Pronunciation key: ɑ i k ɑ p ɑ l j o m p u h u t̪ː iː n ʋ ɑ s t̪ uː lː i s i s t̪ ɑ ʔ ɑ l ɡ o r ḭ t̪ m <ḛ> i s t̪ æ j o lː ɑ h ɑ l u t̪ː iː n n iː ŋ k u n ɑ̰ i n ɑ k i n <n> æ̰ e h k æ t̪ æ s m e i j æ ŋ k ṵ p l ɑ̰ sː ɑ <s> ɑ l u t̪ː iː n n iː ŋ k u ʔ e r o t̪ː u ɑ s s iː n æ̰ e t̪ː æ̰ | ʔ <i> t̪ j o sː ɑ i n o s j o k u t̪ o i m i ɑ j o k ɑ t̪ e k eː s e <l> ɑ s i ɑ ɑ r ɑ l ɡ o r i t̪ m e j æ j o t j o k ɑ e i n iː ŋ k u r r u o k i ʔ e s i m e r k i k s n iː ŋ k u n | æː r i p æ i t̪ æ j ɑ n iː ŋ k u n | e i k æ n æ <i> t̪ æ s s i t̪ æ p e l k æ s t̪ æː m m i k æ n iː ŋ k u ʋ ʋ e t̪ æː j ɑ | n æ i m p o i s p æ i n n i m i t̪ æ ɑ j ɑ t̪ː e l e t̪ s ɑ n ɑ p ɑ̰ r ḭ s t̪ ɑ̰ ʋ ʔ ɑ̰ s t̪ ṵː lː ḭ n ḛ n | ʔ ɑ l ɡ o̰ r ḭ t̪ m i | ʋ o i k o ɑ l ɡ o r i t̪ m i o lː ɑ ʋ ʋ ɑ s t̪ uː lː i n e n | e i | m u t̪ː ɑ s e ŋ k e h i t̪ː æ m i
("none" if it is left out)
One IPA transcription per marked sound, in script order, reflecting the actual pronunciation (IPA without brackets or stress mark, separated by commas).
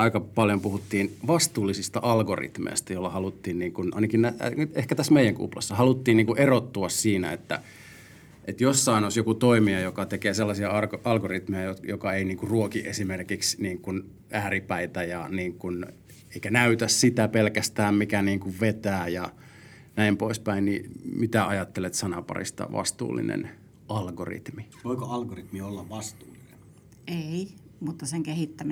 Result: ḛ, n, h, e, lː, y